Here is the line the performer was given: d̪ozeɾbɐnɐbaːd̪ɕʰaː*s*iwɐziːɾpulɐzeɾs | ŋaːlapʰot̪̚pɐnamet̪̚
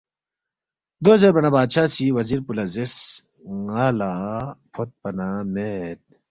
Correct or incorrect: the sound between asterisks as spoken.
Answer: correct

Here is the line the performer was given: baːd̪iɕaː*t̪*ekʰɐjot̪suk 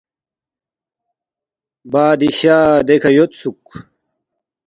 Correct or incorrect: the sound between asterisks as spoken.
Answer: incorrect: d̪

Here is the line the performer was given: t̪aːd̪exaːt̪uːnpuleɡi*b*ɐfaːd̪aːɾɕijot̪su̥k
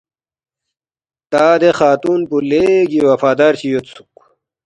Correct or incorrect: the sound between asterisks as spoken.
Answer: incorrect: w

